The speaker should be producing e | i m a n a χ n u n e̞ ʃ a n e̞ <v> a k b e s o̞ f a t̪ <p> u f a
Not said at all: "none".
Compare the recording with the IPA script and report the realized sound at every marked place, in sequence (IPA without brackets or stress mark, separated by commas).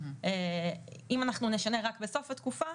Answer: ʁ, k